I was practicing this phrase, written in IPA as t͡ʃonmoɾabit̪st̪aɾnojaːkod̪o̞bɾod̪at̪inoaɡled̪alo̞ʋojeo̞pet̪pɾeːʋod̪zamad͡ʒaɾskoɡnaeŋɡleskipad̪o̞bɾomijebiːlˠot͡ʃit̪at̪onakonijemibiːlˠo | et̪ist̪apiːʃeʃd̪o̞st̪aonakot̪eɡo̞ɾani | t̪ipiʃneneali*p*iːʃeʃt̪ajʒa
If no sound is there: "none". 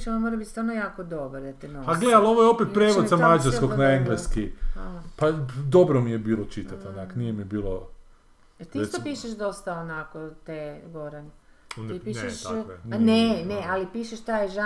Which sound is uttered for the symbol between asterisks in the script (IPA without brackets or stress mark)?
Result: p